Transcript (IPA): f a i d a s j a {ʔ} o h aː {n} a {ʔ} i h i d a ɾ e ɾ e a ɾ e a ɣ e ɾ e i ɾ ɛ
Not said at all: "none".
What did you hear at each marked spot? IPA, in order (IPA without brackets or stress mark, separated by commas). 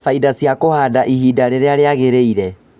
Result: k, d, ʔ